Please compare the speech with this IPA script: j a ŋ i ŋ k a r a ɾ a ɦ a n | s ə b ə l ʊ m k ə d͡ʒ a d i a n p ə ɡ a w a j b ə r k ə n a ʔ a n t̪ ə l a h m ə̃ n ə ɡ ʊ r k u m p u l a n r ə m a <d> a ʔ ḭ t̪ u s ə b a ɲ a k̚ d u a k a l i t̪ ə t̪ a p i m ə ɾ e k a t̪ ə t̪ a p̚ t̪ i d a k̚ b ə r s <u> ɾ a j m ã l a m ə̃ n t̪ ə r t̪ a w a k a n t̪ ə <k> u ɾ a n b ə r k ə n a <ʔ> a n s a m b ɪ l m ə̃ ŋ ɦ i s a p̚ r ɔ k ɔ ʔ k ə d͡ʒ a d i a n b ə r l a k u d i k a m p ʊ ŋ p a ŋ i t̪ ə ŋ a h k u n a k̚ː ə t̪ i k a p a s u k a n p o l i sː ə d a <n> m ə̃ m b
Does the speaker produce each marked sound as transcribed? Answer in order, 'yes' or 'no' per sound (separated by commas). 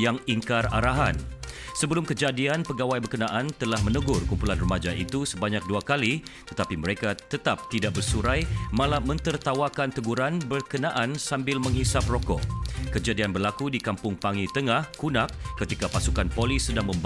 no, yes, no, yes, no